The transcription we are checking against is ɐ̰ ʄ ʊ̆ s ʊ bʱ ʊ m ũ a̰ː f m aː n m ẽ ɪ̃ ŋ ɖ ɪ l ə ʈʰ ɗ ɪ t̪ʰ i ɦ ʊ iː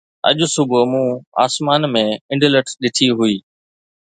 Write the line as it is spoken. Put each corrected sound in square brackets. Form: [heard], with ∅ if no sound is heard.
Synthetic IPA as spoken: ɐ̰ ʄ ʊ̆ s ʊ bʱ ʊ m ũ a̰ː [s] m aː n m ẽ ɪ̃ [ɳ] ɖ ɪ l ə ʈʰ ɗ ɪ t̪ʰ i ɦ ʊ iː